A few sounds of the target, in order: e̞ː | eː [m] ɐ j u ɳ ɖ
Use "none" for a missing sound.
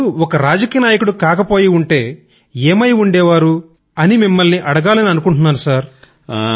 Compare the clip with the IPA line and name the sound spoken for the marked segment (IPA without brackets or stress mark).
m